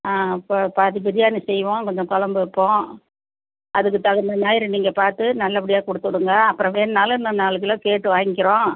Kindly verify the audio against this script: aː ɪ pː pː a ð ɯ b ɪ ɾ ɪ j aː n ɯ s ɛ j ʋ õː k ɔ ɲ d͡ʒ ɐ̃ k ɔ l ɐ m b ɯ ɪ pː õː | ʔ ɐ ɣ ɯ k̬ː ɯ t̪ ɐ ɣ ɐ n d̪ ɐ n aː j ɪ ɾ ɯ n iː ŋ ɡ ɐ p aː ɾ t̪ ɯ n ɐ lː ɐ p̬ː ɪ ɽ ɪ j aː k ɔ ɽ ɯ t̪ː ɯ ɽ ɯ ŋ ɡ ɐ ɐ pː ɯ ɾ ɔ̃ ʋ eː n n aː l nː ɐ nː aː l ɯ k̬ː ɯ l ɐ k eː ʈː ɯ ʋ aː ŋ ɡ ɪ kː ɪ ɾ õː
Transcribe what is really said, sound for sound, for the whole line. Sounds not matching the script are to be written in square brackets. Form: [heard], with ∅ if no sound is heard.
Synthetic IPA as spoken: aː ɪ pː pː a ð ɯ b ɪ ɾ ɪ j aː n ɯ s ɛ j ʋ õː k ɔ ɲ d͡ʒ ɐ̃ k ɔ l ɐ m b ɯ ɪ pː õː | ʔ ɐ [ð] ɯ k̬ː ɯ t̪ ɐ ɣ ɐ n d̪ ɐ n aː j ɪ ɾ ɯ n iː ŋ ɡ ɐ p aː ɾ t̪ ɯ n ɐ lː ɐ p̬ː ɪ ɽ ɪ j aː k ɔ ɽ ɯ t̪ː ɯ ɽ ɯ ŋ ɡ ɐ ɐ pː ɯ ɾ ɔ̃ ʋ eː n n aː l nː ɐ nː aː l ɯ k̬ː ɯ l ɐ k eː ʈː ɯ ʋ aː ŋ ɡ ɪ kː ɪ ɾ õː